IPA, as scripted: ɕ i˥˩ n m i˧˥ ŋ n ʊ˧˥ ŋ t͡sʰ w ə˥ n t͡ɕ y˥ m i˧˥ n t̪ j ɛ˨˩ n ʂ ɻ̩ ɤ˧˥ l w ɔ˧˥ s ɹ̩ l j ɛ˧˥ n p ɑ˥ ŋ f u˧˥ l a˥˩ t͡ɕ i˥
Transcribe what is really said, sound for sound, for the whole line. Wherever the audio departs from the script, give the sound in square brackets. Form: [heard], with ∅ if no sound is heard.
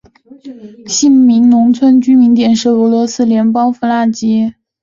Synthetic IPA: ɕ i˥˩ n m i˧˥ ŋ n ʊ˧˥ ŋ t͡sʰ w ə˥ n t͡ɕ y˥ m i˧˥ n t̪ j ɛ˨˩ n ʂ ɻ̩ ɤ˧˥ l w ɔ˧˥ s ɹ̩ l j ɛ˧˥ n p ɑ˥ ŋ f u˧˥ l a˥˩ t͡ɕ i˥